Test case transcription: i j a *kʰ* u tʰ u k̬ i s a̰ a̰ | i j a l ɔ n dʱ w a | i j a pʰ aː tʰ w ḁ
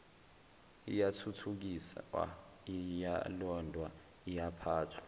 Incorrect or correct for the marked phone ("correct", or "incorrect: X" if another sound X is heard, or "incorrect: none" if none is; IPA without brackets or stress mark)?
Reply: incorrect: tʰ